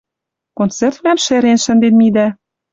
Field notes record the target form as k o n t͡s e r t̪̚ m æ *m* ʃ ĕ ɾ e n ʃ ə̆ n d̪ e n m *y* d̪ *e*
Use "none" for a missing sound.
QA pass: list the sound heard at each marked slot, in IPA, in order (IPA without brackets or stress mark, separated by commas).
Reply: m, i, æ